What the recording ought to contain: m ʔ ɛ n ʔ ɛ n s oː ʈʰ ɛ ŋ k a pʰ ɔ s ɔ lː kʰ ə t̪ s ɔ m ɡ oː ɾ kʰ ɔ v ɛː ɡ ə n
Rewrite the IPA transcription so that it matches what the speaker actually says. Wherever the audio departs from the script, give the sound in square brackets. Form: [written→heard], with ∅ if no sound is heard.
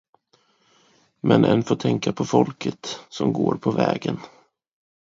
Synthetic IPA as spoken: m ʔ ɛ n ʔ ɛ n [s→f] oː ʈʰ ɛ ŋ k a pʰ ɔ [s→f] ɔ [lː→l] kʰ ə t̪ s ɔ m ɡ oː ɾ [kʰ→pʰ] ɔ v ɛː ɡ ə n